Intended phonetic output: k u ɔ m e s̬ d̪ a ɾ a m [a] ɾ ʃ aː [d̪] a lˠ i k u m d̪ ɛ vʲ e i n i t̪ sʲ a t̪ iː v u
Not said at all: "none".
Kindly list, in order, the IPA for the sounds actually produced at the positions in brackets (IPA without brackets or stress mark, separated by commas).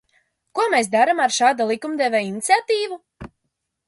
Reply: a, d̪